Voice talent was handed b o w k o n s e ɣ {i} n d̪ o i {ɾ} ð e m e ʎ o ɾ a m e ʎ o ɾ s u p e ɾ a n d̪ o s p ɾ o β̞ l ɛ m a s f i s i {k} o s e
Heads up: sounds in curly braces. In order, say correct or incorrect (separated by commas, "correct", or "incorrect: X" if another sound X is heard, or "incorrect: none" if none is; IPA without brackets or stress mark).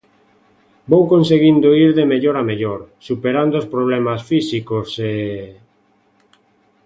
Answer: correct, correct, correct